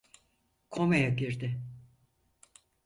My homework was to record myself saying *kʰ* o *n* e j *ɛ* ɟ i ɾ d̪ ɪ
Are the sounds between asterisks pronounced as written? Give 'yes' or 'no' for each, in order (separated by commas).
yes, no, no